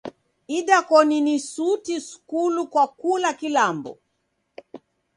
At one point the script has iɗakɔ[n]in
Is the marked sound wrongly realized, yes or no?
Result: no